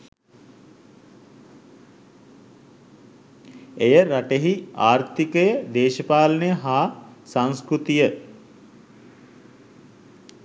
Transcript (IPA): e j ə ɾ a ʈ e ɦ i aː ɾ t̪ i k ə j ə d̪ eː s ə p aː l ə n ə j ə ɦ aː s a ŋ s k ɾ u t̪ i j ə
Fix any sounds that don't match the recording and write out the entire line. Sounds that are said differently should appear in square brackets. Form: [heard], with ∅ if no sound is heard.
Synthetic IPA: e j ə ɾ a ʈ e ɦ i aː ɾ t̪ i k ə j ə d̪ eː [ʃ] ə p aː l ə n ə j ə ɦ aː s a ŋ s k ɾ u t̪ i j ə